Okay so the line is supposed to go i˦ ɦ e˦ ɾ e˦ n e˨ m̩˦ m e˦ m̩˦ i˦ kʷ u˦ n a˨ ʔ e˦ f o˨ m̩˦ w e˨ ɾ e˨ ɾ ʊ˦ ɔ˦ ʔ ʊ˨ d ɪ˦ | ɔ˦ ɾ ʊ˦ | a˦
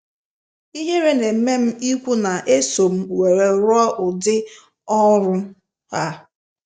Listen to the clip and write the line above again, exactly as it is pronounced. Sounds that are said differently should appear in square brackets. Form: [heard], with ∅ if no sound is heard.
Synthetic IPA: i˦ ɦ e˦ ɾ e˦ n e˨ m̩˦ m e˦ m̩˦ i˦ kʷ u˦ n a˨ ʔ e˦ [s] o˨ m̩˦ w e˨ ɾ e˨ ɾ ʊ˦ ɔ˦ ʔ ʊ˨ d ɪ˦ | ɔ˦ ɾ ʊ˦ | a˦